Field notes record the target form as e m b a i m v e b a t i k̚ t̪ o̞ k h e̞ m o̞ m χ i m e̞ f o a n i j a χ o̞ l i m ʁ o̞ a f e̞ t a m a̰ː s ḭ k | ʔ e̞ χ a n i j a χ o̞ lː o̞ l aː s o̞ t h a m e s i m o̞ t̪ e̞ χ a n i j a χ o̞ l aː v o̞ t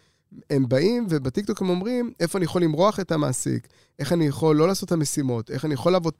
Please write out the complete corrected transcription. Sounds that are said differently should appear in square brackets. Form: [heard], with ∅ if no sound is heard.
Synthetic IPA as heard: e m b a i m v e b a t i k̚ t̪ o̞ k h e̞ m o̞ m [ʁ] i m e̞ f o a n i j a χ o̞ l i m ʁ o̞ a [χ] e̞ t a m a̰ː s ḭ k | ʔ e̞ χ a n i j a χ o̞ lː o̞ l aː s o̞ t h a m e s i m o̞ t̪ e̞ χ a n i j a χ o̞ l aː v o̞ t